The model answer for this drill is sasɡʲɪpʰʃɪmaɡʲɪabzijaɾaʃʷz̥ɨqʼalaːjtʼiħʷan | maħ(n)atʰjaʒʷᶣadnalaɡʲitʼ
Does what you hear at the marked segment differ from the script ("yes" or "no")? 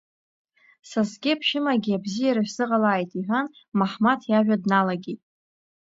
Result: yes